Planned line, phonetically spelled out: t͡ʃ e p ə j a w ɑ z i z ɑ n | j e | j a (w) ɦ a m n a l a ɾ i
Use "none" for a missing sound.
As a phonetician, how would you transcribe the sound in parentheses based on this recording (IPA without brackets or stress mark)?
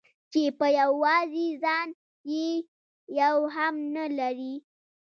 w